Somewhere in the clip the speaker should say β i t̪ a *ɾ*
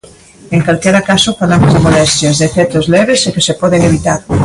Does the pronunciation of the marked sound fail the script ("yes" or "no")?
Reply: no